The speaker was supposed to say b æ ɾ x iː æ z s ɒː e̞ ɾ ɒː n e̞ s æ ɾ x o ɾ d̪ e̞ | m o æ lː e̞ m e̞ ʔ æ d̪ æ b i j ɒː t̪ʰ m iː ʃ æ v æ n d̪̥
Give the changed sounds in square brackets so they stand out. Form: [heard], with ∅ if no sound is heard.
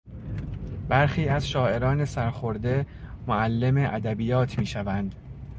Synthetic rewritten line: b æ ɾ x iː æ z [ʃ] ɒː e̞ ɾ ɒː n e̞ s æ ɾ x o ɾ d̪ e̞ | m o æ lː e̞ m e̞ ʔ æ d̪ æ b i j ɒː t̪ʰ m iː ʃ æ v æ n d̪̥